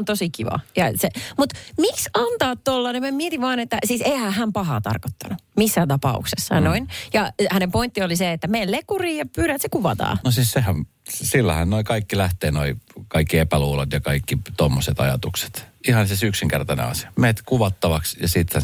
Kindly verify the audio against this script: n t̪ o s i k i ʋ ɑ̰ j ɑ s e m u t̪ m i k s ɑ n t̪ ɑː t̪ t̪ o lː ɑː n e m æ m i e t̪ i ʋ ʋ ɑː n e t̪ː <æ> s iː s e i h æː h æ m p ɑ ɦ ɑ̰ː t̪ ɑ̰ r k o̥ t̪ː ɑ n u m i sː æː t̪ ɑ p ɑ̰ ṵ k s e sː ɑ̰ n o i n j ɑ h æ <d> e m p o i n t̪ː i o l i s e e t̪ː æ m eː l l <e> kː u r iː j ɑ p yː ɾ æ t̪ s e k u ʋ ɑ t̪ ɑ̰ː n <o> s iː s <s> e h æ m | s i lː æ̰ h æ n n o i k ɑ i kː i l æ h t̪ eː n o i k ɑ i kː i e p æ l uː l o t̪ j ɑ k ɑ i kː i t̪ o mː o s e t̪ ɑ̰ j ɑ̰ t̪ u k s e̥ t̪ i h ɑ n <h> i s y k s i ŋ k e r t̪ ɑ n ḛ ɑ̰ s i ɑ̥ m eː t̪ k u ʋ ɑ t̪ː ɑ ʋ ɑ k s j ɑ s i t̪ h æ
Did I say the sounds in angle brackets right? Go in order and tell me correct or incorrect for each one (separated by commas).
correct, incorrect, correct, correct, correct, incorrect